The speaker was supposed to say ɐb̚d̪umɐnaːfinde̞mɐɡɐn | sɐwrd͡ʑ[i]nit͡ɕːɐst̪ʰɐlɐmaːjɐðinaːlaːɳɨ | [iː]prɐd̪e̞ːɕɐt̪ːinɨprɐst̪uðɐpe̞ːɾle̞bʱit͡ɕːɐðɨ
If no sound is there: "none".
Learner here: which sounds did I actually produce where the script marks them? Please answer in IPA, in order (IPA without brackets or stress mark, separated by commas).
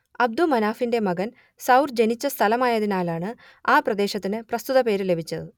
e, aː